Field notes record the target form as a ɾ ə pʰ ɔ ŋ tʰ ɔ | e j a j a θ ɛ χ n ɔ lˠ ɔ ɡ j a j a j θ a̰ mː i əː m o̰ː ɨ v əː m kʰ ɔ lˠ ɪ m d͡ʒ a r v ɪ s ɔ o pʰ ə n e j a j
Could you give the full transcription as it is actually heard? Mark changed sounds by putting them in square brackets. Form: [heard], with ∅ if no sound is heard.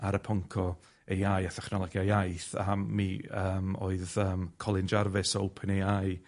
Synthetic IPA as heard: a ɾ ə pʰ ɔ ŋ [kʰ] ɔ | e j a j a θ ɛ χ n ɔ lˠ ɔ ɡ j a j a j θ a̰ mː i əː m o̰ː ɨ [ð] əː m kʰ ɔ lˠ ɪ [n] d͡ʒ a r v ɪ s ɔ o pʰ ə n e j a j